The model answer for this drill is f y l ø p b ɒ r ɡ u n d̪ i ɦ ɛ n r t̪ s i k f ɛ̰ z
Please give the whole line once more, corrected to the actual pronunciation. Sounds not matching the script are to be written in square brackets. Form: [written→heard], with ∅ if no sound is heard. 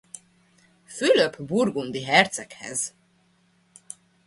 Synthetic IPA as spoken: f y l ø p b [ɒ→u] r ɡ u n d̪ i ɦ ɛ [n→∅] r t̪ s [i→ɛ] k [f→h] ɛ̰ z